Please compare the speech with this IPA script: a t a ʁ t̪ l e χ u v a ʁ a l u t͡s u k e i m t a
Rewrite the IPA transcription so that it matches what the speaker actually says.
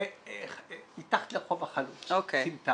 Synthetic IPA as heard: i t a χ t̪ l e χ o v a χ a l u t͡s o k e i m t a